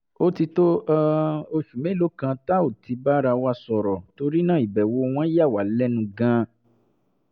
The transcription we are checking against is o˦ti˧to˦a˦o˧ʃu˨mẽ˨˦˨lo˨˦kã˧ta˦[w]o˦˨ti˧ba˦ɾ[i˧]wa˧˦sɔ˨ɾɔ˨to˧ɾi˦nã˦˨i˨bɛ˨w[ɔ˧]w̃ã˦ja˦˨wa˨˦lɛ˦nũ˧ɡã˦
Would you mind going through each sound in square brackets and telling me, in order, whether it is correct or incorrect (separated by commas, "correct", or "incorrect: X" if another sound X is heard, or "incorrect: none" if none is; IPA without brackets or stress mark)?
incorrect: none, incorrect: a˧, incorrect: o˧